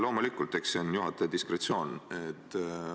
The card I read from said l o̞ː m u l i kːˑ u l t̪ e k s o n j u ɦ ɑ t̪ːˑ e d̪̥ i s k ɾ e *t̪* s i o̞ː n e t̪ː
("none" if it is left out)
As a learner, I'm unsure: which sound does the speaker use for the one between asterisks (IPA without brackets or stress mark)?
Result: t̪